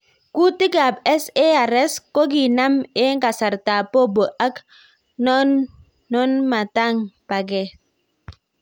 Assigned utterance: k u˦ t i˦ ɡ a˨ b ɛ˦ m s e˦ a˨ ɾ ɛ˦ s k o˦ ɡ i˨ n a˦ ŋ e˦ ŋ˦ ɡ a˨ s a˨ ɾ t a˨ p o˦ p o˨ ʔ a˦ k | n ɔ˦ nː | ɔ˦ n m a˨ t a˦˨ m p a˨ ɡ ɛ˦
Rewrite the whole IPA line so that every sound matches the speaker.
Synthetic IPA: k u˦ t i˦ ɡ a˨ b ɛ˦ s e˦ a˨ ɾ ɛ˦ s k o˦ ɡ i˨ n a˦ m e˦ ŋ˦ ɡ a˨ s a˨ ɾ t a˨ p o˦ b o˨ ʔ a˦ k | n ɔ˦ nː | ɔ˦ n m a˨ t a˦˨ ŋ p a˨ ɡ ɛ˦